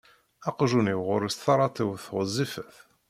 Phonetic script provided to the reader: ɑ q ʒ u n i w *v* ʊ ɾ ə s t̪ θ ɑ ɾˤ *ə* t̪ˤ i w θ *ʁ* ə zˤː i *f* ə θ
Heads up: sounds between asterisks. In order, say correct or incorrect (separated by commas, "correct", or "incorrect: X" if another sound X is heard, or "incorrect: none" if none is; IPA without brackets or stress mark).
incorrect: ʁ, incorrect: ɑ, correct, correct